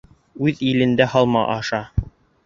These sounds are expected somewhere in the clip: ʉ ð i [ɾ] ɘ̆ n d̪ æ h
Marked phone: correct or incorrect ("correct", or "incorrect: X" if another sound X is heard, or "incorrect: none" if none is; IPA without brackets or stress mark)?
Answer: incorrect: l